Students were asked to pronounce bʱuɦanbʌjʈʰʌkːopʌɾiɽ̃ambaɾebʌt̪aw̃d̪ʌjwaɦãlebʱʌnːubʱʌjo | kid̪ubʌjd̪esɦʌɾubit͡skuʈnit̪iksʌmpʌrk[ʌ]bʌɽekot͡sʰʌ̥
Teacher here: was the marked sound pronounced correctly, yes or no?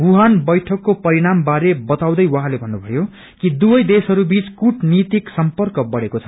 yes